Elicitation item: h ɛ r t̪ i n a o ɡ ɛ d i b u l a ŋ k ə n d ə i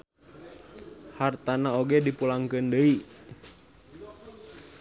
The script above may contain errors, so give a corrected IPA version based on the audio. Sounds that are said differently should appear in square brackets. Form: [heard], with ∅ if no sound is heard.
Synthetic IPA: h [a] r t̪ [a] n a o ɡ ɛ d i [p] u l a ŋ k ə n d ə i